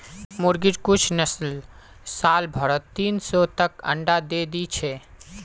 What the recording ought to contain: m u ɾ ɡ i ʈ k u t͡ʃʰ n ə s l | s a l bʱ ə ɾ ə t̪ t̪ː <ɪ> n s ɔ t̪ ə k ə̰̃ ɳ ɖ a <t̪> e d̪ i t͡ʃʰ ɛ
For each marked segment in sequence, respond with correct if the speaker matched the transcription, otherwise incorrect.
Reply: incorrect: i, incorrect: d̪

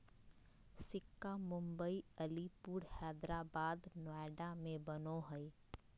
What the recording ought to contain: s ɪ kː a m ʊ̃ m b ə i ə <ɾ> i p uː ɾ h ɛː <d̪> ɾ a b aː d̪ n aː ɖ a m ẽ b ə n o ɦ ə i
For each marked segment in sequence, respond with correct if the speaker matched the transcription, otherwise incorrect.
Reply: incorrect: l, correct

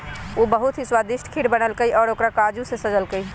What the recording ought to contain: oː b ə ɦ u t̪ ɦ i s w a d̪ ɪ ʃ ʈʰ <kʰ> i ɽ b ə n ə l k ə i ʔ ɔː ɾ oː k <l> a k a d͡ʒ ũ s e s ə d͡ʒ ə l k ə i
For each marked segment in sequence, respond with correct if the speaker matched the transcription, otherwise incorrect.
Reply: correct, incorrect: ɾ

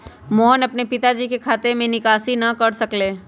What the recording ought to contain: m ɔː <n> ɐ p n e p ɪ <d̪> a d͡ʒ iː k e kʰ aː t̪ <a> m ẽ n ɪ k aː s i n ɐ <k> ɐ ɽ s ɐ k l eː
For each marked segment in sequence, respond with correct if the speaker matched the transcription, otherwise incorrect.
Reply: correct, incorrect: t̪, incorrect: e, correct

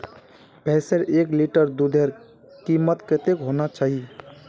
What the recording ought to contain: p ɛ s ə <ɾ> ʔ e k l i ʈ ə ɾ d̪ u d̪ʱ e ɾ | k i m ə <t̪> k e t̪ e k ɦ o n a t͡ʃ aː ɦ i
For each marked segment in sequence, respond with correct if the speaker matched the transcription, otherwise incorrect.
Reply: correct, correct

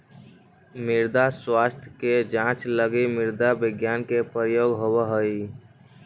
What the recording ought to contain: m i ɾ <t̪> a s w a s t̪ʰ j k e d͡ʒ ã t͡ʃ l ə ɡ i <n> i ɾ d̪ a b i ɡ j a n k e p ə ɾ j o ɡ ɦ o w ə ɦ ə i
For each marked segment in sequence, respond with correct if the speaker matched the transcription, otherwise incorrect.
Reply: incorrect: d̪, incorrect: m

